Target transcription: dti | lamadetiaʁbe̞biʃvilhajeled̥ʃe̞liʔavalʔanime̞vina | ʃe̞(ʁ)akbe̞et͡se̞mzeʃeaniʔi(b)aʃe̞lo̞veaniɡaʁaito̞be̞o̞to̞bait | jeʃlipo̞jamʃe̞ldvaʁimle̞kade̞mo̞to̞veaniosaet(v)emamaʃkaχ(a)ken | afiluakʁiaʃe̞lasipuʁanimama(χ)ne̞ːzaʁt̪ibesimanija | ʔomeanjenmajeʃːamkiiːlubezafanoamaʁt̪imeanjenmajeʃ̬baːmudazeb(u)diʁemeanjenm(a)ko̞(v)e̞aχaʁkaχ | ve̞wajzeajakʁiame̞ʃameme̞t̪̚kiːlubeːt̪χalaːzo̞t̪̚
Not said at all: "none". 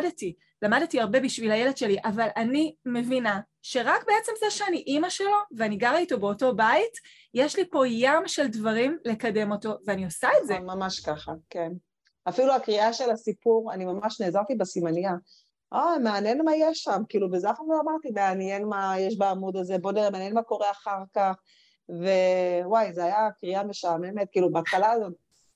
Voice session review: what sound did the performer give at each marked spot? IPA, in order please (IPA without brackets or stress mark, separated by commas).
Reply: ʁ, m, z, a, ʃ, o, a, ʁ